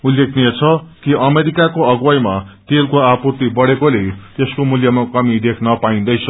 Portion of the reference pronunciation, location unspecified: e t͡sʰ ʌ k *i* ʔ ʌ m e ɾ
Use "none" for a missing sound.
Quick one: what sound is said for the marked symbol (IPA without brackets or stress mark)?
i